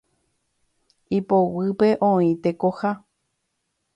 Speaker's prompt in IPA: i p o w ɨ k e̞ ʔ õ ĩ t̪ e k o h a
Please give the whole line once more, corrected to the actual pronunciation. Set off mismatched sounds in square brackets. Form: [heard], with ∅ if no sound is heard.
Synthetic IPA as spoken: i p o w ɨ [p] e̞ ʔ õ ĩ t̪ e k o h a